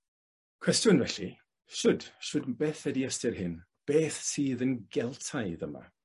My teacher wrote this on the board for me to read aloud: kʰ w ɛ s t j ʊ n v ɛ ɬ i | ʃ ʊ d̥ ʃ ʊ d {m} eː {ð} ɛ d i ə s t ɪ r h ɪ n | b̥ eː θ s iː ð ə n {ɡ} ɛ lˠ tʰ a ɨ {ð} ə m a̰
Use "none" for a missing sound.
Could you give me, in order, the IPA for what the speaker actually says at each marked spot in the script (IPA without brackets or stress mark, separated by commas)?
b, θ, ɡ, ð